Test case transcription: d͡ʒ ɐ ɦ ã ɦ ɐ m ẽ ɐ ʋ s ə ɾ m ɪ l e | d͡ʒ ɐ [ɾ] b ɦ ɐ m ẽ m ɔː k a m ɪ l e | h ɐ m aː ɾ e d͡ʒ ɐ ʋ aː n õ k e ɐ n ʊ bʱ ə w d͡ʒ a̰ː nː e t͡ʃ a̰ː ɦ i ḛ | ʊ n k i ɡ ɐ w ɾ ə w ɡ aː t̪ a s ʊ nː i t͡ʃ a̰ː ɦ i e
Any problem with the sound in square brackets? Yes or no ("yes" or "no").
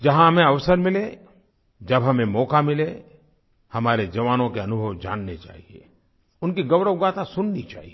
yes